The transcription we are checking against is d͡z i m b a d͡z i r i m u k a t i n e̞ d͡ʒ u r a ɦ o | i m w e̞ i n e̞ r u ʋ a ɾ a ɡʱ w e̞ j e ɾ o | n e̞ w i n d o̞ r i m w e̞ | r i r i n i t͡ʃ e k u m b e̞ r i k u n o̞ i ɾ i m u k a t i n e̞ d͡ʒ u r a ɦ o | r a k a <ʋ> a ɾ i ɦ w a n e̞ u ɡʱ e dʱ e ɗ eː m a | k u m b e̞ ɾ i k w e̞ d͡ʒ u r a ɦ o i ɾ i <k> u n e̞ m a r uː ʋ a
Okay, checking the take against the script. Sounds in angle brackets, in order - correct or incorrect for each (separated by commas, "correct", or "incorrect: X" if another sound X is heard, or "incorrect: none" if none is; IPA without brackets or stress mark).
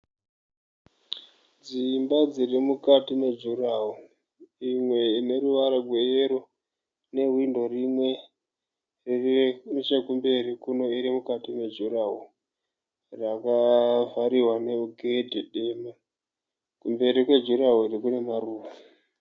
incorrect: v, correct